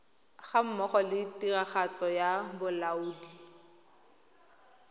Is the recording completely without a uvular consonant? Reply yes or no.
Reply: no